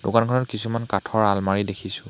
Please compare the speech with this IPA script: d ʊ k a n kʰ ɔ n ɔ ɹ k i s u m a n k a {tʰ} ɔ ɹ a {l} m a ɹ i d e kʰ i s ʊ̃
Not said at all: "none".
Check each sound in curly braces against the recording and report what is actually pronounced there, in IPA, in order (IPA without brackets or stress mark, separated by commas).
tʰ, l